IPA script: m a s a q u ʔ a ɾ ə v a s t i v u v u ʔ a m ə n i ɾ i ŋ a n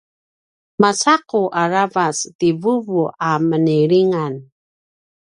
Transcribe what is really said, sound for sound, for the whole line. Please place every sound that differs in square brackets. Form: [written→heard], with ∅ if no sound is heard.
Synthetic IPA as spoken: m a s a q u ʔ a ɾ [ə→a] v a s t i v u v u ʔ a m ə n i ɾ i ŋ a n